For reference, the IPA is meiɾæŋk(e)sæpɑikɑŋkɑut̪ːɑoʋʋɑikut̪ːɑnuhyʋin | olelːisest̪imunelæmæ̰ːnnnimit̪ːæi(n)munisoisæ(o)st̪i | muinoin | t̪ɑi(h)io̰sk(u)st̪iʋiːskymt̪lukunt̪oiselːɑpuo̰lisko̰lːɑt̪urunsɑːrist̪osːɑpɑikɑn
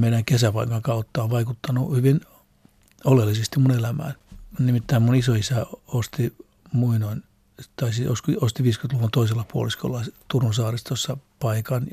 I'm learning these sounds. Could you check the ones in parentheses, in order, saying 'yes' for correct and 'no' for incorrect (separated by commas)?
yes, no, yes, no, no